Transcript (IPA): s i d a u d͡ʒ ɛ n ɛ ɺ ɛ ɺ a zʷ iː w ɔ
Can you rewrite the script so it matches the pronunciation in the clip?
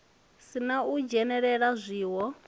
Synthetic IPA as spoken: s i n a u d͡ʒ ɛ n ɛ ɺ ɛ ɺ a zʷ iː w ɔ